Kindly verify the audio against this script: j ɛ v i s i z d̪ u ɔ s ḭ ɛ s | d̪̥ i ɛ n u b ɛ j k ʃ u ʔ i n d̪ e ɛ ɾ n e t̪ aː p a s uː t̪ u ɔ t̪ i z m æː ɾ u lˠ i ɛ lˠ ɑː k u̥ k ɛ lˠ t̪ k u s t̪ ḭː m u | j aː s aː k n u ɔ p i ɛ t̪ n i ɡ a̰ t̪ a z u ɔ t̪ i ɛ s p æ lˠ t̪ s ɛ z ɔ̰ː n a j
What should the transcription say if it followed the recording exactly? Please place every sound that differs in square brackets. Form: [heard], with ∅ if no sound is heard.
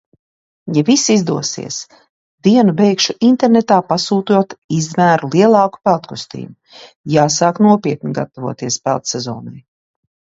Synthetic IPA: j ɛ v i s i z d̪ u ɔ s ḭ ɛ s | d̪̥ i ɛ n u b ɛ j k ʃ u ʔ i n [t̪] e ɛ ɾ n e t̪ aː p a s uː t̪ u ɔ t̪ i z m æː ɾ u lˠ i ɛ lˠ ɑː k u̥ [p] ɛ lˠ t̪ k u s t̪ ḭː m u | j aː s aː k n u ɔ p i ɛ t̪ n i ɡ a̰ t̪ a [v] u ɔ t̪ i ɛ s p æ lˠ t̪ s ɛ z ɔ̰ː n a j